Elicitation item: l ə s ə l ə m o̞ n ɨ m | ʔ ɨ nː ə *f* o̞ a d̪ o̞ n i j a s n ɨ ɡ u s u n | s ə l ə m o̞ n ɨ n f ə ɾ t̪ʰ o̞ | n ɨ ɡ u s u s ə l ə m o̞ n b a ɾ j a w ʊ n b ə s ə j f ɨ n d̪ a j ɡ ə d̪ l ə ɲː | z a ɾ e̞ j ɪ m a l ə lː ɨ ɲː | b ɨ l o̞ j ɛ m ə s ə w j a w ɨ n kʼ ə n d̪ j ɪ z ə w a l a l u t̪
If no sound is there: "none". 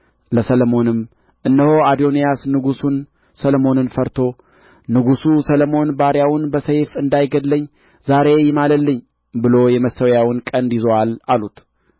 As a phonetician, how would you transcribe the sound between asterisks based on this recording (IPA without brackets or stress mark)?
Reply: h